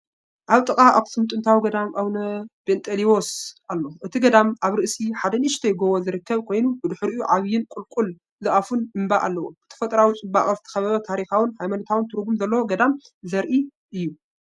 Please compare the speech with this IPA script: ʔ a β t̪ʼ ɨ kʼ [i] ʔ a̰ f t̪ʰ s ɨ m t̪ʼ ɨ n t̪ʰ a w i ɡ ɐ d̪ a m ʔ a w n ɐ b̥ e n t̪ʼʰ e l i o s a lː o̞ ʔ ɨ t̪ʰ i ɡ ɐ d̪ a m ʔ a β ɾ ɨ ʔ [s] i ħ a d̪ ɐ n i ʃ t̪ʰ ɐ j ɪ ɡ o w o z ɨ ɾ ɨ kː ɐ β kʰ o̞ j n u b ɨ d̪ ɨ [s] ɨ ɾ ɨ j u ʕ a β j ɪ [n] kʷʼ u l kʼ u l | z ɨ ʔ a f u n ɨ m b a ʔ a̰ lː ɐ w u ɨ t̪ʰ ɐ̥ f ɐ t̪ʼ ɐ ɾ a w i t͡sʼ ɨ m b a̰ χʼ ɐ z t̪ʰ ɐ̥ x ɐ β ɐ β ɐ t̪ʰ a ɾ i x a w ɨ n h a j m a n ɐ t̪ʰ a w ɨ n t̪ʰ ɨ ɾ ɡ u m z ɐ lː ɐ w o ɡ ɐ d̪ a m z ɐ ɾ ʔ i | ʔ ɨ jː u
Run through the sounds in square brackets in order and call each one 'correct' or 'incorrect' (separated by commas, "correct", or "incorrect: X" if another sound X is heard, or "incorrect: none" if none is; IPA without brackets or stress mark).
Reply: incorrect: a, correct, incorrect: ħ, correct